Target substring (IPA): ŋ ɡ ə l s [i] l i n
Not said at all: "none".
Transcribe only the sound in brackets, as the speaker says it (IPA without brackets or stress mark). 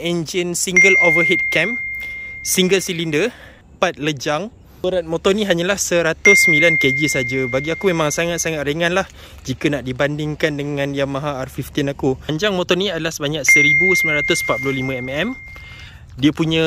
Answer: i